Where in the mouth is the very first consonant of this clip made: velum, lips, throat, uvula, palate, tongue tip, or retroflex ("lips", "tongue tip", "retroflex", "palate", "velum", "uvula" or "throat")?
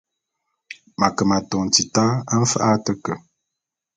lips